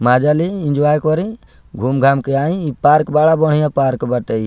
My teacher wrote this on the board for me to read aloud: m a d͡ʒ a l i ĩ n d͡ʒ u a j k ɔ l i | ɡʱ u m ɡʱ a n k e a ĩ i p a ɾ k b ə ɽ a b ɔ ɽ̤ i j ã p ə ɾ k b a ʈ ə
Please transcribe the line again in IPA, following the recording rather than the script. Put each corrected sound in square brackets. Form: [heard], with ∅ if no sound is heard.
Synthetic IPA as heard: m a d͡ʒ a l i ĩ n d͡ʒ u a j k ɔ [ɾ] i | ɡʱ u m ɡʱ a [m] k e a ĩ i p a ɾ k b [a] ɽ a b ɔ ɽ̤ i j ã p [a] ɾ k b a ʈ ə

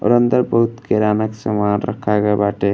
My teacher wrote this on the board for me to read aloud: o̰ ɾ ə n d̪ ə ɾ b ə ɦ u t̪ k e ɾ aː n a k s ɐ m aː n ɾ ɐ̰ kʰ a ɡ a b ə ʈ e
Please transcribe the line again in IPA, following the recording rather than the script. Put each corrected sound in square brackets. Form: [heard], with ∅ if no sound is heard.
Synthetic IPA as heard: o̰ ɾ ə n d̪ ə ɾ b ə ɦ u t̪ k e ɾ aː n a k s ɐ m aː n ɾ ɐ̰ kʰ a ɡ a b [a] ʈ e

